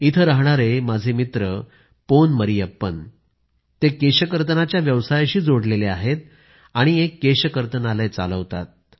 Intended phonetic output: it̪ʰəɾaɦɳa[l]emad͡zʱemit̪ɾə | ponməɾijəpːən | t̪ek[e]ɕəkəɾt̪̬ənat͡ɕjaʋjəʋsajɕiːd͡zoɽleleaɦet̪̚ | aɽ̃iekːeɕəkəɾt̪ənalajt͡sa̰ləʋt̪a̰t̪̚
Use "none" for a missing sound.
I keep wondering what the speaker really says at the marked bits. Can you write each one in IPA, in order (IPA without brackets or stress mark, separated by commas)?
ɾ, e